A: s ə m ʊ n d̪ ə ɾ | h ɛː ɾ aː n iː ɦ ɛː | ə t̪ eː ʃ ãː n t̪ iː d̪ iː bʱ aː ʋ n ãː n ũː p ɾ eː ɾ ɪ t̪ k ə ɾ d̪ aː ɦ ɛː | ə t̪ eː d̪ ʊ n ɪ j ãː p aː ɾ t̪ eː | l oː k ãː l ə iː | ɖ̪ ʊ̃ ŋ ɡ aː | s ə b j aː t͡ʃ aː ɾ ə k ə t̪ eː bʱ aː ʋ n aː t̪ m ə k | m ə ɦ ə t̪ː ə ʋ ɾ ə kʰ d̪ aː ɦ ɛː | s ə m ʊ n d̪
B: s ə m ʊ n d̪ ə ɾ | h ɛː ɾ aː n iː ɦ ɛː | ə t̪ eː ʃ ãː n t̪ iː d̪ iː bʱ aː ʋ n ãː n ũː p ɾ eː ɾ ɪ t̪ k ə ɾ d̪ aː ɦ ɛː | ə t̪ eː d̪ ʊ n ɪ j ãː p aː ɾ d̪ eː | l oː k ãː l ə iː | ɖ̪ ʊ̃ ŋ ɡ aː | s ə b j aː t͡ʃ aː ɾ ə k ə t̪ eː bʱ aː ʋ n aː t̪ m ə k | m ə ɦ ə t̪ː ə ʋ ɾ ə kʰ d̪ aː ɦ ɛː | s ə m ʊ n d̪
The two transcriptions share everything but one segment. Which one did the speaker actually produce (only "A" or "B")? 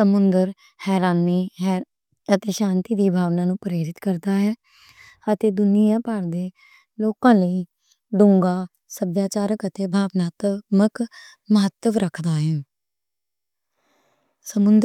B